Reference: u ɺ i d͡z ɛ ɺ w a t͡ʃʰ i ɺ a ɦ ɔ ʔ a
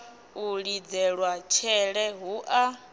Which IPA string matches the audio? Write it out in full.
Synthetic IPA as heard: u ɺ i d͡z ɛ ɺ w a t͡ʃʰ ɛ ɺ ɛ ɦ u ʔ a